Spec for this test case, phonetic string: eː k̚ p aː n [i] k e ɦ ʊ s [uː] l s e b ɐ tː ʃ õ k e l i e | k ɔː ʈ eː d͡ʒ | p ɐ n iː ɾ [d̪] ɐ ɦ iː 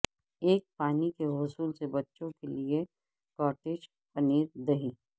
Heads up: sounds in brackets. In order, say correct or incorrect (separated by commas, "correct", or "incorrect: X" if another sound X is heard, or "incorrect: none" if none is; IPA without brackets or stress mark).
correct, correct, correct